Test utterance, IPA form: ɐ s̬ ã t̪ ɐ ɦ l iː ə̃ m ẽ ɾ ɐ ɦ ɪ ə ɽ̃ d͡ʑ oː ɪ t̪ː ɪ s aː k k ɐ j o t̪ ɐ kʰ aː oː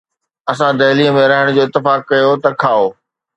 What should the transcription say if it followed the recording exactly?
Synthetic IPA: ɐ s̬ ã d̪ ɐ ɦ l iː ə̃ m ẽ ɾ ɐ ɦ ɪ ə ɽ̃ d͡ʑ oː ɪ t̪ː ɪ f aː k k ɐ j o t̪ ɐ kʰ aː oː